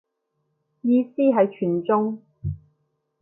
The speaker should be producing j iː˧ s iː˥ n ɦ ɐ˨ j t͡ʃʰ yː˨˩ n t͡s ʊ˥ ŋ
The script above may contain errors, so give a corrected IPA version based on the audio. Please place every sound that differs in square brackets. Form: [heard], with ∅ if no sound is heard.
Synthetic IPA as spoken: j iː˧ s iː˥ [∅] ɦ ɐ˨ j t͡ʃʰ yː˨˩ n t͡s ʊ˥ ŋ